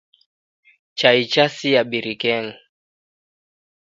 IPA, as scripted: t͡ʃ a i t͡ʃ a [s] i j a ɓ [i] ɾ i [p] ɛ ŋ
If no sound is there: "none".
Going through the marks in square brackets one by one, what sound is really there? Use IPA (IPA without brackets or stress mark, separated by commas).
s, i, k